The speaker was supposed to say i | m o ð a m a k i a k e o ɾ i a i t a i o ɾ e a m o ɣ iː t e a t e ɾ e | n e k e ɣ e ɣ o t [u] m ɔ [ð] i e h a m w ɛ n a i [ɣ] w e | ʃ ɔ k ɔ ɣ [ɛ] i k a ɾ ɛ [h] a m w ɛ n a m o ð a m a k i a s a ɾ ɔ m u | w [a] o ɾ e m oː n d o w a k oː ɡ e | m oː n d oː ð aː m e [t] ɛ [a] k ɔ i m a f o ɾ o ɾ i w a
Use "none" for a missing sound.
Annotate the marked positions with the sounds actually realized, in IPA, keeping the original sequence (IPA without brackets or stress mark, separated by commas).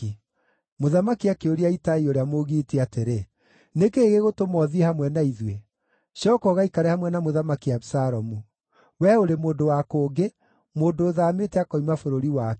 o, ð, ð, a, h, ɛ, t, a